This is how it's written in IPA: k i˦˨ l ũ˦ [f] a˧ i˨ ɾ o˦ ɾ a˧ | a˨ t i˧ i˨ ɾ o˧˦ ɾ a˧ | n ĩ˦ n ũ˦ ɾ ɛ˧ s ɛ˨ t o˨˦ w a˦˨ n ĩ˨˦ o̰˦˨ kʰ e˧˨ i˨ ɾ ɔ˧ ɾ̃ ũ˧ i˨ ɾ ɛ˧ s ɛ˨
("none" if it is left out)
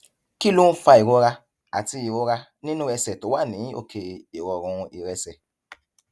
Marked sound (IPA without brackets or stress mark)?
f